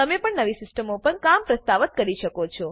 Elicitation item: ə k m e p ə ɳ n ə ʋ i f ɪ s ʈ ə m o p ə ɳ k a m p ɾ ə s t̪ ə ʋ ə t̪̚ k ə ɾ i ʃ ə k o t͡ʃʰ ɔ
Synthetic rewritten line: ə m e p ə ɳ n ə ʋ i s ɪ s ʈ ə m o p ə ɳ k a m p ɾ ə s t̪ a ʋ ə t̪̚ k ə ɾ i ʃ ə k o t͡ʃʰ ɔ